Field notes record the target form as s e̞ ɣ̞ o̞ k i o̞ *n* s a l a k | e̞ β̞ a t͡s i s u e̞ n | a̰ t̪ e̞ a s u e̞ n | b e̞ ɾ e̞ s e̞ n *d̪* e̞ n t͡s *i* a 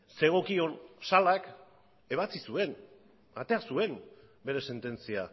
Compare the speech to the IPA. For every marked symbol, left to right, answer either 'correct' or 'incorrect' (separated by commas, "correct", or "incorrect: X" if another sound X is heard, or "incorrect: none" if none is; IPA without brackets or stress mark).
correct, incorrect: t̪, correct